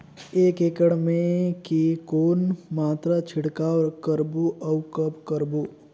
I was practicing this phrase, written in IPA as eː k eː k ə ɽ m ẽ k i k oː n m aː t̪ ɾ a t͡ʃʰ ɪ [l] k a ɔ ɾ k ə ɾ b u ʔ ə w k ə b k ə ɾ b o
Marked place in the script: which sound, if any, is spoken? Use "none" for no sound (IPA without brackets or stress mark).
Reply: ɽ